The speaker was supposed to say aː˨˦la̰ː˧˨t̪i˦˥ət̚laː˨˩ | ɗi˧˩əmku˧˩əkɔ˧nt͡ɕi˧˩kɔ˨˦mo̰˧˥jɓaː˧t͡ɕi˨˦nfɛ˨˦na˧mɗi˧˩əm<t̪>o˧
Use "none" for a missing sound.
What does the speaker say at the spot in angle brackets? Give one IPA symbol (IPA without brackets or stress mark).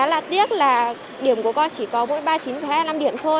t̪ʰ